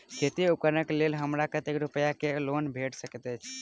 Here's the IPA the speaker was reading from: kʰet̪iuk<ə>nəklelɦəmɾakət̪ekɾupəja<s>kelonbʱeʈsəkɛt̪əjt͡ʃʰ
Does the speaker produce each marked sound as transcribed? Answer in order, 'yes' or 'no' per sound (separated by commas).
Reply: yes, no